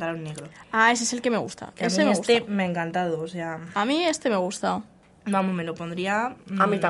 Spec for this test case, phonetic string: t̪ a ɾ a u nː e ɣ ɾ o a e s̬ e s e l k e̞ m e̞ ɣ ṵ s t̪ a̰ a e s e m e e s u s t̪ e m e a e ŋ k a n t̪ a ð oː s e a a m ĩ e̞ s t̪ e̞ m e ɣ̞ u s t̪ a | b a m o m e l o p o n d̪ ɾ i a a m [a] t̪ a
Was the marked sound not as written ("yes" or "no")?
yes